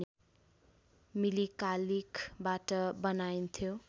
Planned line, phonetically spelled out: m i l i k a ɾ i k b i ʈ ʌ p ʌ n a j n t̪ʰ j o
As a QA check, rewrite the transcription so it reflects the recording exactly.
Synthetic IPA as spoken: m i l i k a l i k b a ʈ ʌ b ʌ n a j n t̪ʰ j o